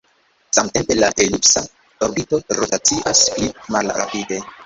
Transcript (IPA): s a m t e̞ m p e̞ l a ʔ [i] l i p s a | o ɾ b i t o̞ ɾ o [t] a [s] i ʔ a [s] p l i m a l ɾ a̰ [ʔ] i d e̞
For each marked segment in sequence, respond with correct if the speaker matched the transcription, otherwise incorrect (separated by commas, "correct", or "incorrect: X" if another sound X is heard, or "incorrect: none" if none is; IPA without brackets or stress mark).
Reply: incorrect: e, correct, incorrect: t͡s, correct, incorrect: p